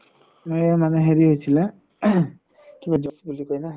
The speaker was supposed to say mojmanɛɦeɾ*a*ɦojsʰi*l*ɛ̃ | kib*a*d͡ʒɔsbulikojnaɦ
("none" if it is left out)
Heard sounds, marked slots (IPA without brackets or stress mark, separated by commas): i, l, a